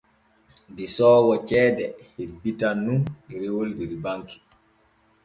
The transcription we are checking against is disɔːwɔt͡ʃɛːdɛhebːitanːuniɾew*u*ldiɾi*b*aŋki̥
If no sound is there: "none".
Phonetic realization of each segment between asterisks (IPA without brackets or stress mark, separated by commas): o, b